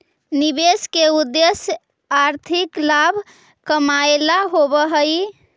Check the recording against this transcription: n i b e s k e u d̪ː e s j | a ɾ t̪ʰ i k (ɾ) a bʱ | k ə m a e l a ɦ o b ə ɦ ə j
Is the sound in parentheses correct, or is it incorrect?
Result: incorrect